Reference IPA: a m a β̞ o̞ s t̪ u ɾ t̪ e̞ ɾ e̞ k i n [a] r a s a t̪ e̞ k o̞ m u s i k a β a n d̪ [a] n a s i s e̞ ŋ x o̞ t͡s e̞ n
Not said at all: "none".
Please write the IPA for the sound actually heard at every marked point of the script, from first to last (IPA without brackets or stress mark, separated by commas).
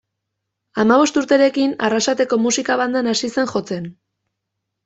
a, a